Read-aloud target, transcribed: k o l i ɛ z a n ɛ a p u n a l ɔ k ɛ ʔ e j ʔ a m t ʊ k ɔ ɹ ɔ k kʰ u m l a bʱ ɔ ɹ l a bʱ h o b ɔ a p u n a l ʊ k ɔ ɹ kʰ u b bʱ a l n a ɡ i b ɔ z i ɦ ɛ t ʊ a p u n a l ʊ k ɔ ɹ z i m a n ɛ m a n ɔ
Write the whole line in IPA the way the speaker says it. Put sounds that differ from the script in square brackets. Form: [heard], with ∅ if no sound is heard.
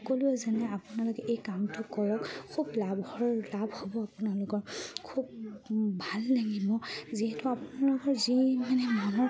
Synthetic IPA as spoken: k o l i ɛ z a n ɛ a p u n a l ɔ k ɛ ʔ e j [k] a m t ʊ k ɔ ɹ ɔ k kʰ u [b] l a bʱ ɔ ɹ l a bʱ h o b ɔ a p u n a l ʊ k ɔ ɹ kʰ u b bʱ a l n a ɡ i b ɔ z i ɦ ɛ t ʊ a p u n a l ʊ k ɔ ɹ z i m a n ɛ m a n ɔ

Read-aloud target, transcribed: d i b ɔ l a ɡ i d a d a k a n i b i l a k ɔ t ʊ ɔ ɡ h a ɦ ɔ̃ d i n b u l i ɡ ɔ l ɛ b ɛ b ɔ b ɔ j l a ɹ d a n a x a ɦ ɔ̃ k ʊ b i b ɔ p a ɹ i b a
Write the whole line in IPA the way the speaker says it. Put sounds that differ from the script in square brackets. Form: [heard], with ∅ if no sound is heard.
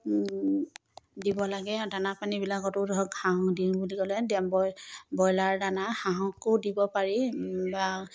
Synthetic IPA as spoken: d i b ɔ l a ɡ [ɛ] d a [n] a [p] a n i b i l a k ɔ t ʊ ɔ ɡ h a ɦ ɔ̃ d i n b u l i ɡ ɔ l ɛ [d] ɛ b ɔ b ɔ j l a ɹ d a n a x a ɦ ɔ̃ k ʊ [d] i b ɔ p a ɹ i b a

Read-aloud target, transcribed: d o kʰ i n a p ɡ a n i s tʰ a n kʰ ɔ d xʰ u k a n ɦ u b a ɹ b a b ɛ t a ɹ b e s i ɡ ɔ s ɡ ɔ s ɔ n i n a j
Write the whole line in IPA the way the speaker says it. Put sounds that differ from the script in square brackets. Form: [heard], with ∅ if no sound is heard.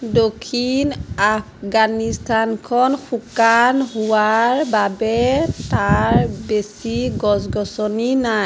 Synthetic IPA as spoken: d o kʰ i n a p ɡ a n i s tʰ a n kʰ ɔ [n] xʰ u k a n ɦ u [w] a ɹ b a b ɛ t a ɹ b e s i ɡ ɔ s ɡ ɔ s ɔ n i n a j

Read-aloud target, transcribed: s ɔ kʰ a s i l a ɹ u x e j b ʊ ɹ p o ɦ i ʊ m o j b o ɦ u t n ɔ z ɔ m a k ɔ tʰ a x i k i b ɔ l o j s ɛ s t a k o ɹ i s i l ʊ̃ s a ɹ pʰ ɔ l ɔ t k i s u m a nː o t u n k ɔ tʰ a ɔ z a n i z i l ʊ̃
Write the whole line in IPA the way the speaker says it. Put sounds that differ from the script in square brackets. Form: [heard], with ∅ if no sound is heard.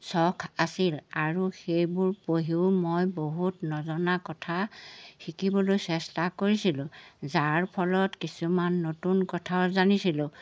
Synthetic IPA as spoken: s ɔ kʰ a s i l a ɹ u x e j b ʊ ɹ p o ɦ i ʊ m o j b o ɦ u t n ɔ z ɔ [n] a k ɔ tʰ a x i k i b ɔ l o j s ɛ s t a k o ɹ i s i l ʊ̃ [z] a ɹ pʰ ɔ l ɔ t k i s u m a nː o t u n k ɔ tʰ a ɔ z a n i [s] i l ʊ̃

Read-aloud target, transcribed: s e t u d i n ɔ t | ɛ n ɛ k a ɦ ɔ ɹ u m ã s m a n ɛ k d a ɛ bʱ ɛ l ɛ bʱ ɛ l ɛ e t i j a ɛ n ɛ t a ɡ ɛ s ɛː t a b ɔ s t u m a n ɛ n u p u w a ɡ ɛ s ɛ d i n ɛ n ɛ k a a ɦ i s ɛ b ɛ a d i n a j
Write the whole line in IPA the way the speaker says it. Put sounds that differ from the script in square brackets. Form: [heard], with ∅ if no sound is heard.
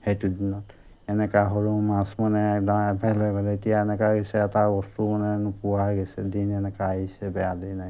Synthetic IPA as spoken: [h] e t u d i n ɔ t | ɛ n ɛ k a ɦ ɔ ɹ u m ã s m a n ɛ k d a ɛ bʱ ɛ l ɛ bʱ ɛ l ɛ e t i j a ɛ n ɛ [k] a ɡ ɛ s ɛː t a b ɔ s t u m a n ɛ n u p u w a ɡ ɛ s ɛ d i n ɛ n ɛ k a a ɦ i s ɛ b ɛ a d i n a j

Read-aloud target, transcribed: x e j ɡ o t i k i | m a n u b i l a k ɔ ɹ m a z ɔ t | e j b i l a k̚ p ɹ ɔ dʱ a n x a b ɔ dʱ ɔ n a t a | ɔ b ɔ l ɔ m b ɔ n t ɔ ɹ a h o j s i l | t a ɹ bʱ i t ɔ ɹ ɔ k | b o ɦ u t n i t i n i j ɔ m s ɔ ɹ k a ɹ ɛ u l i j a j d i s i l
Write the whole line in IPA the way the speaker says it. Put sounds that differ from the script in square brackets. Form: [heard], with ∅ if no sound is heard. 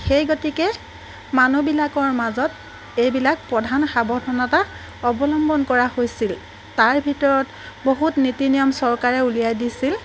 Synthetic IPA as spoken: x e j ɡ o t i k [ɛ] | m a n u b i l a k ɔ ɹ m a z ɔ t | e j b i l a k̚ p ɹ ɔ dʱ a n x a b ɔ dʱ ɔ n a t a | ɔ b ɔ l ɔ m b ɔ n [k] ɔ ɹ a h o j s i l | t a ɹ bʱ i t ɔ ɹ ɔ [t] | b o ɦ u t n i t i n i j ɔ m s ɔ ɹ k a ɹ ɛ u l i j a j d i s i l

